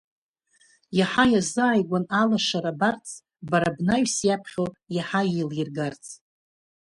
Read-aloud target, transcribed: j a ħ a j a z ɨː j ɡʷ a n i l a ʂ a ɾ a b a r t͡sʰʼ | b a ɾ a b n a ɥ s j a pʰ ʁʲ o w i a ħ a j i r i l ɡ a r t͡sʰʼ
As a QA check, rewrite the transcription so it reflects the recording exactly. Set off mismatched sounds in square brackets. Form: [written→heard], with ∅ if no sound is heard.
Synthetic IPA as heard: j a ħ a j a z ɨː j ɡʷ a n [i→a] l a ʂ a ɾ a b a r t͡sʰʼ | b a ɾ a b n a ɥ s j a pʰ [ʁʲ→χʲ] o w [i→j] a ħ a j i [r→l] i [l→r] ɡ a r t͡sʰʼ